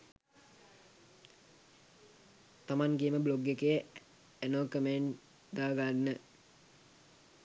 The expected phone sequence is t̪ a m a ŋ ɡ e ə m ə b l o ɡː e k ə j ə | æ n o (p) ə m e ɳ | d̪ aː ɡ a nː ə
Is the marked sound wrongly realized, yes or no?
yes